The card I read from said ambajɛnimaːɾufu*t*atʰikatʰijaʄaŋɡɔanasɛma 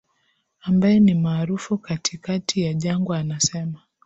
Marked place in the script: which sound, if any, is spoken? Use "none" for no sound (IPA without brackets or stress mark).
k